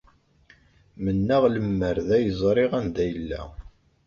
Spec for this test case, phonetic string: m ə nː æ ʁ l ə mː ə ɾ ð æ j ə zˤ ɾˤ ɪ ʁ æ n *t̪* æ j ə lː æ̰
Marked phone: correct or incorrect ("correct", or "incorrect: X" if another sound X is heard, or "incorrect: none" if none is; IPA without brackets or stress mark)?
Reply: incorrect: d̪